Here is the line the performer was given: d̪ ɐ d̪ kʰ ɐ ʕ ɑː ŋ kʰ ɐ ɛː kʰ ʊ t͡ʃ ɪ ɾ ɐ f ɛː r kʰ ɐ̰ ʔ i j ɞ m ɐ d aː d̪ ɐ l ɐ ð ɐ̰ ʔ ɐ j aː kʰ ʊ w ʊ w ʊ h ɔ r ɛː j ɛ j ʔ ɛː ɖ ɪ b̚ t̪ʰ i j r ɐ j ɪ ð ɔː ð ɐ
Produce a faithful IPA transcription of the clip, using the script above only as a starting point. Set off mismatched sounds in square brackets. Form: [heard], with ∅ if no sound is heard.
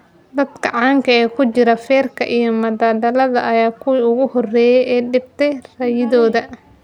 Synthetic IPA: d̪ ɐ d̪ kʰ ɐ ʕ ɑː ŋ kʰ ɐ ɛː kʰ ʊ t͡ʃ ɪ ɾ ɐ f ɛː r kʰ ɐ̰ ʔ i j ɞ m ɐ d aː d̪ ɐ l ɐ ð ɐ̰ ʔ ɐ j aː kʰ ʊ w ʊ [ɣ] ʊ h ɔ r ɛː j ɛ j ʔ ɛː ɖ ɪ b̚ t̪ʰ [ɛ] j r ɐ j ɪ ð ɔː ð ɐ